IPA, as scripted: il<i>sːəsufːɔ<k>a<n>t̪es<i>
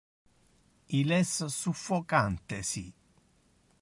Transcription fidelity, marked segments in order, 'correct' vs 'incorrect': incorrect: ɛ, correct, correct, correct

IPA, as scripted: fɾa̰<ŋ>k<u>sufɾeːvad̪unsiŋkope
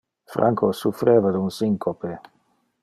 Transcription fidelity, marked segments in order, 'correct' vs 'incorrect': correct, incorrect: o

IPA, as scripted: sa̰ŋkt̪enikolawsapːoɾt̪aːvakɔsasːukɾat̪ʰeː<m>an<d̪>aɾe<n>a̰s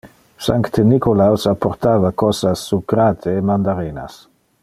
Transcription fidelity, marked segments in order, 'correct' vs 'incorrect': correct, correct, correct

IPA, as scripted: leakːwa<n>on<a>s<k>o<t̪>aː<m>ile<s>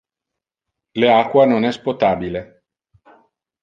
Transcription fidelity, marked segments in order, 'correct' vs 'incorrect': correct, incorrect: ɛ, incorrect: p, correct, incorrect: b, incorrect: none

